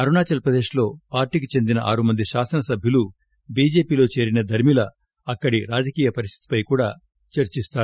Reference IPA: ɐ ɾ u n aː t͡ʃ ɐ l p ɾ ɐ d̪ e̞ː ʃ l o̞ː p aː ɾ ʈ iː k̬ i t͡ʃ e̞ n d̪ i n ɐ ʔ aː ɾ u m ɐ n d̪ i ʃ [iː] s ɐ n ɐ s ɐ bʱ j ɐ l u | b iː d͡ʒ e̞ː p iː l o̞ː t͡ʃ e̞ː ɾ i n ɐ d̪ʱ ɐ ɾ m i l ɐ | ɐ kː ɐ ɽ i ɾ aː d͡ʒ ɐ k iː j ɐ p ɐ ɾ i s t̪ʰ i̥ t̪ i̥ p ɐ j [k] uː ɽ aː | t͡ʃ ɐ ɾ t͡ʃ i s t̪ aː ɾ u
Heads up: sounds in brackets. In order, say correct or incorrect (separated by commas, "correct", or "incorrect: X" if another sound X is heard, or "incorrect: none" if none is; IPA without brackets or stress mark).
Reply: incorrect: aː, correct